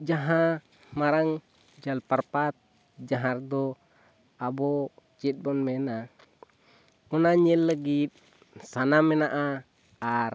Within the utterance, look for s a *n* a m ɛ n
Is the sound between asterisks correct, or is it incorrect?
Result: correct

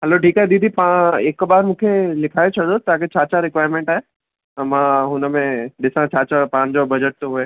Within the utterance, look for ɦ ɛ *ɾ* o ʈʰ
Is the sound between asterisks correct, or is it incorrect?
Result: incorrect: l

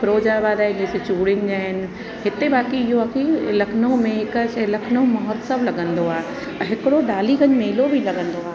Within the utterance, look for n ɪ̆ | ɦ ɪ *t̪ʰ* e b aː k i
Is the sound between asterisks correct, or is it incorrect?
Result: incorrect: t̪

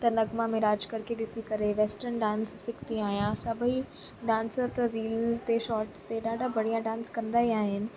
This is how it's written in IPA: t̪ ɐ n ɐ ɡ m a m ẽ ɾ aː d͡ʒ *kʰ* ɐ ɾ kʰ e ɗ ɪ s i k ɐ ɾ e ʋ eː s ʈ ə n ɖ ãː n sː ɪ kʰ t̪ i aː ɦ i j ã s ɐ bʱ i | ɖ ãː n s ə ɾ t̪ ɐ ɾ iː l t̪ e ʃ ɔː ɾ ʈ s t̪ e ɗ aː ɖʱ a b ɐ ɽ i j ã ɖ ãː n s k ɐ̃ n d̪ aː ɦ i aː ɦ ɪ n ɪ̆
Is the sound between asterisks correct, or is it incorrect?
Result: incorrect: k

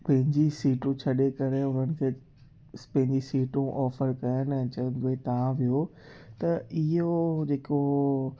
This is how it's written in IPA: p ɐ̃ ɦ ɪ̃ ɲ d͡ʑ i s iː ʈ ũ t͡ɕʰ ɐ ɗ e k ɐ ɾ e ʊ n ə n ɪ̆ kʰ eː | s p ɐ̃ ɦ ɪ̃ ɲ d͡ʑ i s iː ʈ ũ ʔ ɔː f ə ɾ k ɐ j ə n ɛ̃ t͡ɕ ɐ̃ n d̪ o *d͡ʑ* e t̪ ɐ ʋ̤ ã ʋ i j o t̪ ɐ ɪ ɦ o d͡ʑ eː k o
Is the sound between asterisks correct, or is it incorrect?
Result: incorrect: none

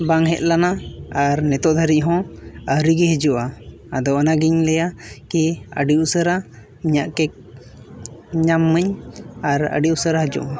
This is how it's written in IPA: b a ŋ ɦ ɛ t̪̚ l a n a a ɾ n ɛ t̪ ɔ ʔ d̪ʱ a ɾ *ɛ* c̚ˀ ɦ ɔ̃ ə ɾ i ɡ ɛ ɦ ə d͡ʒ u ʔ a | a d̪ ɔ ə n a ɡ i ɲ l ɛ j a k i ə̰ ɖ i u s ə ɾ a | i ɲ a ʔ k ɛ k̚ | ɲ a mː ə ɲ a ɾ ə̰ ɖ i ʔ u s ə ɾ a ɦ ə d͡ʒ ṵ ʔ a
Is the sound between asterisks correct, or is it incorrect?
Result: incorrect: i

